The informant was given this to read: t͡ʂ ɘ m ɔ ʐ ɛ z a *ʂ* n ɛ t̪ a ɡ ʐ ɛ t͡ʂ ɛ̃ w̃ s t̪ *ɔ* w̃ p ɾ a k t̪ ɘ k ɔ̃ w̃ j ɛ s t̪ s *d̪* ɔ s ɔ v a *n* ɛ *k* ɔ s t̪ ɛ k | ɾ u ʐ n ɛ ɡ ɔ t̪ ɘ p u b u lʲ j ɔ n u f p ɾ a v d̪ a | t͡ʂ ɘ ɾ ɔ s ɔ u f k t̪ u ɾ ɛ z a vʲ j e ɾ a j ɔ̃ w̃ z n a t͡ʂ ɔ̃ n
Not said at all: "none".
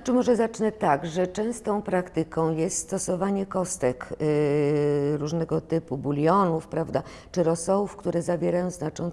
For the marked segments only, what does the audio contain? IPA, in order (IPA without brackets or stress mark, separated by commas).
t͡ʂ, ɔ̃, t̪, ɲ, k